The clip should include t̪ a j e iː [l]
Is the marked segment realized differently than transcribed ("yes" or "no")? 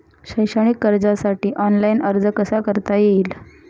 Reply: no